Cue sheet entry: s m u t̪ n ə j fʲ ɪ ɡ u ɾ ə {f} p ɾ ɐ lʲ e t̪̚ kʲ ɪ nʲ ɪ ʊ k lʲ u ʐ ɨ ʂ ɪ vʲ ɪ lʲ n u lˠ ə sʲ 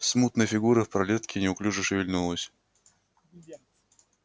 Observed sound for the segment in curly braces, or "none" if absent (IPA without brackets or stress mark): f